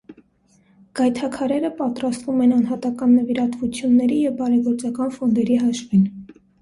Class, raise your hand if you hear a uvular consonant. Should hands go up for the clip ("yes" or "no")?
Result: no